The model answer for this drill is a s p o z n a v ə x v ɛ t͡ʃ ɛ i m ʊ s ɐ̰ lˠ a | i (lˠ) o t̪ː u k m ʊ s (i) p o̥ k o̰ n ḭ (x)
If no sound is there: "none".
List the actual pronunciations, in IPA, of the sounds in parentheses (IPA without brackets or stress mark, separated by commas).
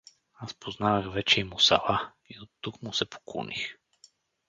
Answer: none, ɛ, x